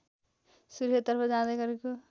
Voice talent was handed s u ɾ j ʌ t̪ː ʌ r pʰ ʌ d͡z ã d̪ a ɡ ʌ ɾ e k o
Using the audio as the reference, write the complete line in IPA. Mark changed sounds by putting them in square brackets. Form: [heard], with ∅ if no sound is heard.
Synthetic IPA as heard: s u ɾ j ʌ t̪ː ʌ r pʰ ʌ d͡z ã d̪ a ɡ ʌ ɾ e k o